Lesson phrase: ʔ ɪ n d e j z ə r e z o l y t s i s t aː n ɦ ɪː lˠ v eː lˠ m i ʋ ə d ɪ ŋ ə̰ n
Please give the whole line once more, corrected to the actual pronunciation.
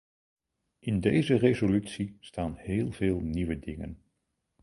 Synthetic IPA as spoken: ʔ ɪ n d e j z ə r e z o l y t s i s t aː n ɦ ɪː lˠ v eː lˠ n i ʋ ə d ɪ ŋ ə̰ n